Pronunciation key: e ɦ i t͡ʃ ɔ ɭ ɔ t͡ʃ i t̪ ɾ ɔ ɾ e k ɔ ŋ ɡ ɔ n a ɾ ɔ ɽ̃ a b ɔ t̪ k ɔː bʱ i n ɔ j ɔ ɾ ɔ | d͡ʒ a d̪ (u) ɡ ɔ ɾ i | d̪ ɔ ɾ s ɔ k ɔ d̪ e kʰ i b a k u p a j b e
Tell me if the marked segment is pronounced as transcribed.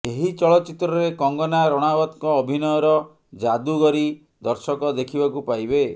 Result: yes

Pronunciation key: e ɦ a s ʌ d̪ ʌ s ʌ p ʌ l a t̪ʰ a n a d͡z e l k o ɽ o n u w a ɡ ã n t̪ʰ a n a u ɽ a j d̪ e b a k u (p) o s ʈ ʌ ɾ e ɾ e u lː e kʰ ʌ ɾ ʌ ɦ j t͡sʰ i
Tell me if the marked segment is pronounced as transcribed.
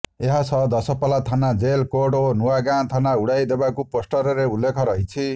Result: yes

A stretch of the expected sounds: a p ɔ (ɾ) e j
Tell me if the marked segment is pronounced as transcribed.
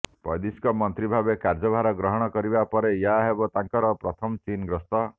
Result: yes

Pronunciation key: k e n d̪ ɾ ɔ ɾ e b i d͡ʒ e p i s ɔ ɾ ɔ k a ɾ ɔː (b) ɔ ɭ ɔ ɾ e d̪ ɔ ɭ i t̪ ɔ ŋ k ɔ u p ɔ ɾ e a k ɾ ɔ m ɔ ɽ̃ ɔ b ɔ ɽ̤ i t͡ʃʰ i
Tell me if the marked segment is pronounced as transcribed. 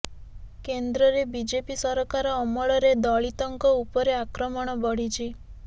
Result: no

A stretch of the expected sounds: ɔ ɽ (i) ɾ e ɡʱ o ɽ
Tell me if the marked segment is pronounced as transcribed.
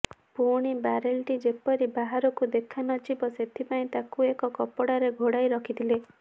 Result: no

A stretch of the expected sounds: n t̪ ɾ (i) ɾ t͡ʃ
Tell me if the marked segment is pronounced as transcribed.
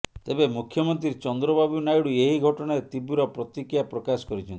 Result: yes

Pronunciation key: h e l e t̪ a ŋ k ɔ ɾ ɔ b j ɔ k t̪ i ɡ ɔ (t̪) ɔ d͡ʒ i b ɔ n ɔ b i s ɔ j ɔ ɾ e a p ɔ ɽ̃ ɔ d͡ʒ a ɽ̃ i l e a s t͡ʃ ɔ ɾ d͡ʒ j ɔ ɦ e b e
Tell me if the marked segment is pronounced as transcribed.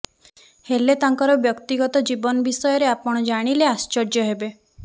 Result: yes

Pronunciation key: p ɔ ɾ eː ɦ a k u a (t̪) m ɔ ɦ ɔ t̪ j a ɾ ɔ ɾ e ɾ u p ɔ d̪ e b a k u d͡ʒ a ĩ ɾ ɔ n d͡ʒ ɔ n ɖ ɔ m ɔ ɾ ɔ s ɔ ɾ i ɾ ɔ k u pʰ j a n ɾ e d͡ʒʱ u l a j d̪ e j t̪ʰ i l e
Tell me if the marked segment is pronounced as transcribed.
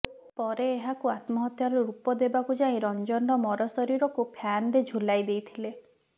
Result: yes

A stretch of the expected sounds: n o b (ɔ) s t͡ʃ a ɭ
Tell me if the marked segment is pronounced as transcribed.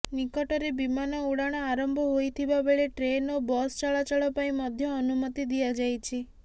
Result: yes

